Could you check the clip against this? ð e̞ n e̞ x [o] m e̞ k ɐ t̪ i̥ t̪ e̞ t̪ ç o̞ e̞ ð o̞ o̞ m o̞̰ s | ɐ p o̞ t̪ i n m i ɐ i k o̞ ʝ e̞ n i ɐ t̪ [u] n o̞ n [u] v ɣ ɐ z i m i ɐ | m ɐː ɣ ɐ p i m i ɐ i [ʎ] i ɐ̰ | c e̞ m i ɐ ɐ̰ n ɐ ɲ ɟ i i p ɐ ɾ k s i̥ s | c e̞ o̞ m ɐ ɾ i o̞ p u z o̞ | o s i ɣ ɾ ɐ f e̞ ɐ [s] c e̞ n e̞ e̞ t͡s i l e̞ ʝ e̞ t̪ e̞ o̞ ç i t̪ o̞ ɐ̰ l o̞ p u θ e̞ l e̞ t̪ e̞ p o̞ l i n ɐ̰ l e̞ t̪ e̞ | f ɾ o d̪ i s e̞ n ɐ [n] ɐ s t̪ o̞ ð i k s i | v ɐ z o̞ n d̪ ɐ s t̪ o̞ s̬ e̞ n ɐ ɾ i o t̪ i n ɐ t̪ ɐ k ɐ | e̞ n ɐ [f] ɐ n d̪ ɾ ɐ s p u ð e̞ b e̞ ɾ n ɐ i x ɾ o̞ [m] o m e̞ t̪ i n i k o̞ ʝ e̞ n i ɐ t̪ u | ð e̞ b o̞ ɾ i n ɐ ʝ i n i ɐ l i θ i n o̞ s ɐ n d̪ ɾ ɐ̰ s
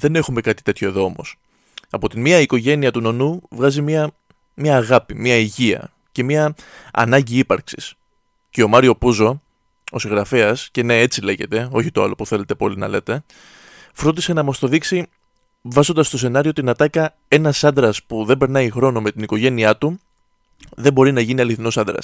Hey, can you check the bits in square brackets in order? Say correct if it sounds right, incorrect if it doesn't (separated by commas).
incorrect, correct, correct, incorrect, correct, incorrect, incorrect, incorrect